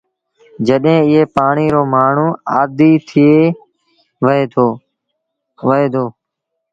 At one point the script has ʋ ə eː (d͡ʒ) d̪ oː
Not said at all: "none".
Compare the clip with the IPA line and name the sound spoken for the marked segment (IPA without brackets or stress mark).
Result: none